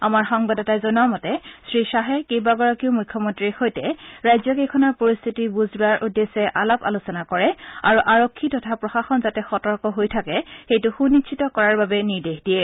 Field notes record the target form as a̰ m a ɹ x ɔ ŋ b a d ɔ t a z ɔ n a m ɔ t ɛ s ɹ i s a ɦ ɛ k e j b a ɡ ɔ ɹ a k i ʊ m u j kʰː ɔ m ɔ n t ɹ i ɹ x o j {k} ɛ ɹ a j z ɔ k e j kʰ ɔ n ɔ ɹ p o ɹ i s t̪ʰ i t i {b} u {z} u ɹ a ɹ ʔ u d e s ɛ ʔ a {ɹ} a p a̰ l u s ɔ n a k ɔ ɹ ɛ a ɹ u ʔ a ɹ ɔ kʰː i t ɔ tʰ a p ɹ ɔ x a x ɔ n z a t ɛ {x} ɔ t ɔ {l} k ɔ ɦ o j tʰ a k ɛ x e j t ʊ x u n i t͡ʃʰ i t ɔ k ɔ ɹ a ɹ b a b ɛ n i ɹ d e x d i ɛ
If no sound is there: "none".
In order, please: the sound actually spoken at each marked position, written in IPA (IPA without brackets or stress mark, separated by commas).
t, b, z, l, x, ɹ